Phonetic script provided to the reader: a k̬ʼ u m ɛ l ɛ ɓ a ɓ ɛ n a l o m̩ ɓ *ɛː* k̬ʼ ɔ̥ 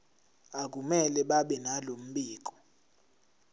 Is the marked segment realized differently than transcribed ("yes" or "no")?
yes